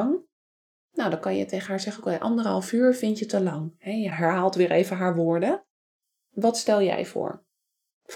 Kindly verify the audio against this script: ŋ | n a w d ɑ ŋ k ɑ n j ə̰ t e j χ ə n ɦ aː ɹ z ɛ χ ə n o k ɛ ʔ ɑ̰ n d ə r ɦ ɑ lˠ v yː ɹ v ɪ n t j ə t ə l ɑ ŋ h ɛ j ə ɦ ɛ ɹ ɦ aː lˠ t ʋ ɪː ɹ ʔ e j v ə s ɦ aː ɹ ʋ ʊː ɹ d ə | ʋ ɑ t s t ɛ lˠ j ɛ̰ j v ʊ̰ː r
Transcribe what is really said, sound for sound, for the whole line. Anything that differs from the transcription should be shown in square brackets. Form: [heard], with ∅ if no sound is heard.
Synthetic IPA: ŋ | n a w d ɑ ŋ k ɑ n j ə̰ t e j χ ə n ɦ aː ɹ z ɛ χ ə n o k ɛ ʔ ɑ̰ n d ə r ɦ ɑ lˠ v yː ɹ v ɪ n t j ə t ə l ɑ ŋ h ɛ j ə ɦ ɛ ɹ ɦ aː lˠ t ʋ ɪː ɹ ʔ e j v ə [∅] ɦ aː ɹ ʋ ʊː ɹ d ə | ʋ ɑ t s t ɛ lˠ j ɛ̰ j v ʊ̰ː [ɹ]